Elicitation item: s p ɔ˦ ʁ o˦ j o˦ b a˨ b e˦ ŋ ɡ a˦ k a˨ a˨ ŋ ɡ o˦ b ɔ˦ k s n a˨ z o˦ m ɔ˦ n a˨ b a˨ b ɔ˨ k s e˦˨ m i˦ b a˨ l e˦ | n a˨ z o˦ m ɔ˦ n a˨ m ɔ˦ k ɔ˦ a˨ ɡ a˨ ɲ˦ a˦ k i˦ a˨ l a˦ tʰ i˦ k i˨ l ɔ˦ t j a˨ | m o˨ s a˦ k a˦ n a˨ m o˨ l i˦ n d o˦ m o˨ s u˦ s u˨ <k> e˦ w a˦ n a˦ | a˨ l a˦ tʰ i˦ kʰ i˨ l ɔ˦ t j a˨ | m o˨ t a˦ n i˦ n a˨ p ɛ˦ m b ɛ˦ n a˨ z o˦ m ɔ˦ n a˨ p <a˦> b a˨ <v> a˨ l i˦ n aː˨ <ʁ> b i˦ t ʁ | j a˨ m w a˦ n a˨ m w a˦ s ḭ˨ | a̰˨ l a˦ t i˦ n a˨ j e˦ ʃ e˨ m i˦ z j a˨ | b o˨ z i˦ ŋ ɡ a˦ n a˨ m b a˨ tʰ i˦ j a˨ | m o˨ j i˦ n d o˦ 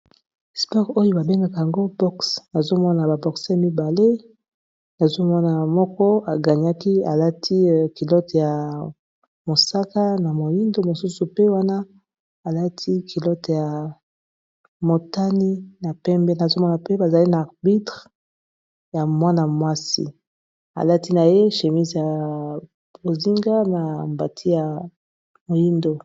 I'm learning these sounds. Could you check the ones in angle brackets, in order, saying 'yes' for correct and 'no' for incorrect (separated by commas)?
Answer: no, no, no, yes